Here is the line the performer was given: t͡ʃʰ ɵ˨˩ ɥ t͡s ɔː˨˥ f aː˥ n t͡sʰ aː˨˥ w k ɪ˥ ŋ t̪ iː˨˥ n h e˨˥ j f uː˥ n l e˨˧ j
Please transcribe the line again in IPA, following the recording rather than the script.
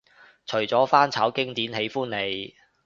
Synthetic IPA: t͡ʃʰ ɵ˨˩ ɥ t͡s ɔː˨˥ f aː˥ n t͡sʰ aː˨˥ w k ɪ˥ ŋ t̪ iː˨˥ n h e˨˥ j f uː˥ n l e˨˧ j